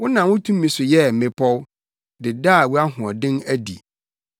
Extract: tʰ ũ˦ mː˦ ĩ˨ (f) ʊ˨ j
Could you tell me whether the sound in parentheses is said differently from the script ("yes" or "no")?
yes